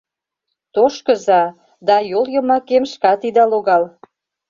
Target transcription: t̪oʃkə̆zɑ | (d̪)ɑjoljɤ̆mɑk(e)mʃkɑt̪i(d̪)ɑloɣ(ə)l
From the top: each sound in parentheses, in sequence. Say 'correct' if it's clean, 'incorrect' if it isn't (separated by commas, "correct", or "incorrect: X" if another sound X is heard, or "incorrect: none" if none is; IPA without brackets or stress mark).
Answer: correct, correct, correct, incorrect: ɑ